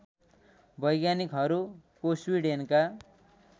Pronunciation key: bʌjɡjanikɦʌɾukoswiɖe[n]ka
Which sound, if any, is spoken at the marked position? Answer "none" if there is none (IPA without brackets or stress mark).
n